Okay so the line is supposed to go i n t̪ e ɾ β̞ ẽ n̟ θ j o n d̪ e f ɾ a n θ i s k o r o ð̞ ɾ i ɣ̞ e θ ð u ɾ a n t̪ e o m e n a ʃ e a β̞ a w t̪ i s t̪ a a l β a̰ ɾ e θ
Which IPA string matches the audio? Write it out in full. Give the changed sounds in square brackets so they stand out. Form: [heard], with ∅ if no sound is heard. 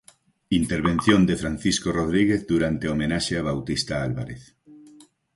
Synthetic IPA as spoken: i n t̪ e ɾ β̞ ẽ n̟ θ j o n d̪ e f ɾ a n θ i s k o r o ð̞ ɾ i ɣ̞ e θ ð u ɾ a n t̪ e o m e n a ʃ e a β̞ a w t̪ i s t̪ a a l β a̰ ɾ e θ